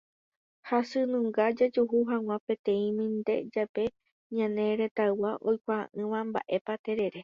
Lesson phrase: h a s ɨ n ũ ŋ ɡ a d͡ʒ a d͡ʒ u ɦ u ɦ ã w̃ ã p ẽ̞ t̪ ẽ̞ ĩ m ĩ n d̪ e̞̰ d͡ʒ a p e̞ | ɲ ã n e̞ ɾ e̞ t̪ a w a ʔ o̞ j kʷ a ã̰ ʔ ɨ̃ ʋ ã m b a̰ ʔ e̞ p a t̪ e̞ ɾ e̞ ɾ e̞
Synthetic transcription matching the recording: h a s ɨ n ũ ŋ ɡ a d͡ʒ a d͡ʒ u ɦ u ɦ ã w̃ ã p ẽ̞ t̪ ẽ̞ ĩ m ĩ n d̪ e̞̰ d͡ʒ a p e̞ | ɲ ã n e̞ ɾ e̞ t̪ a w a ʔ o̞ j kʷ a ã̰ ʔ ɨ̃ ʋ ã m b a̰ ʔ e̞ p a t̪ e̞ ɾ e̞ ɾ e̞